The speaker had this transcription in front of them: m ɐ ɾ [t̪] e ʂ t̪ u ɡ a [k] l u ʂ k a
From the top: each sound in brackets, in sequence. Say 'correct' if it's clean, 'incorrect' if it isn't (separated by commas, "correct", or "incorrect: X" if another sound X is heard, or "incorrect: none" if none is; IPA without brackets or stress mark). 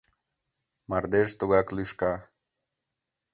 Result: incorrect: d̪, correct